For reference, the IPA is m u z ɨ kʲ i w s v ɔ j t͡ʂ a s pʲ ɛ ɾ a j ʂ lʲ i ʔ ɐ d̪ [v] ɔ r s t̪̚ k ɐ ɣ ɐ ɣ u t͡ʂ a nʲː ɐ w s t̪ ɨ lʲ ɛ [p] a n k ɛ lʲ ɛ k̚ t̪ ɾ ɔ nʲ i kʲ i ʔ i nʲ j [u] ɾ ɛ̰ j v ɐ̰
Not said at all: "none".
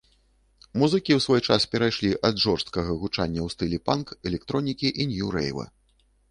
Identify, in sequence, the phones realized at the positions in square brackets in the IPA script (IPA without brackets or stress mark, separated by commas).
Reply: ʐ, p, u